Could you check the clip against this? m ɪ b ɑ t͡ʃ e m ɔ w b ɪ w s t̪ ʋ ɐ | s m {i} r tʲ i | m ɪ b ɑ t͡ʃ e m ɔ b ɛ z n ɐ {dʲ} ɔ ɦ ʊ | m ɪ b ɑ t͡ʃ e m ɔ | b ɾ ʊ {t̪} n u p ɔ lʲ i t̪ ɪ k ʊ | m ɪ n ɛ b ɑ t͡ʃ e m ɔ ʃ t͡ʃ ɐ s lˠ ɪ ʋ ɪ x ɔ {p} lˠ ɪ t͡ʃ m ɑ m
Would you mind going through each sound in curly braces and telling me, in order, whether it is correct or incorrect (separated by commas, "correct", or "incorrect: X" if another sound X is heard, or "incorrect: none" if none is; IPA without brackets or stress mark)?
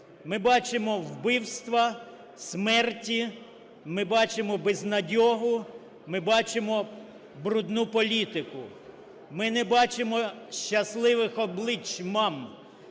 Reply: incorrect: ɛ, correct, incorrect: d̪, incorrect: b